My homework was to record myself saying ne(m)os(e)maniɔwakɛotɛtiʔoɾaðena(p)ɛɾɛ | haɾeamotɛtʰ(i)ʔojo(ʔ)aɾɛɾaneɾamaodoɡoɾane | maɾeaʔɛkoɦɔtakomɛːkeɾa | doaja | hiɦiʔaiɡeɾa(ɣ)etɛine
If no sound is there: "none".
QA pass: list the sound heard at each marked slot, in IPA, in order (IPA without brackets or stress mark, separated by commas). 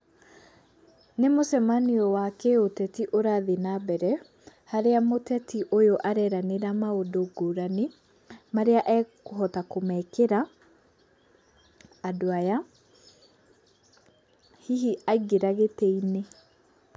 m, ɛ, b, i, ʔ, ɣ